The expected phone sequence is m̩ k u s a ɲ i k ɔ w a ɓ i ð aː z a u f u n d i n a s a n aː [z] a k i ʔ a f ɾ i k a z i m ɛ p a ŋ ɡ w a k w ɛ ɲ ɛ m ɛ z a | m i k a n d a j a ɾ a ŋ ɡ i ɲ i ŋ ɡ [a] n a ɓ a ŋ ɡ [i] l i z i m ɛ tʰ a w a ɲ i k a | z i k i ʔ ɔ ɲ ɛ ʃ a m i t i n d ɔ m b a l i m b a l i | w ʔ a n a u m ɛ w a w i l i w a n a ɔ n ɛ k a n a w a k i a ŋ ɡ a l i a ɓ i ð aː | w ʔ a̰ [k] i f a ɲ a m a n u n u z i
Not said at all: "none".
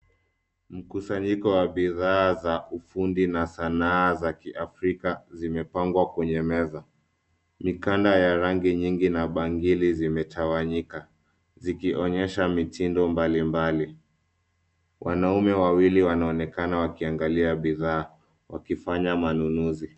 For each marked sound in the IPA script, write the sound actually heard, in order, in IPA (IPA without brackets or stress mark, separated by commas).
z, i, i, k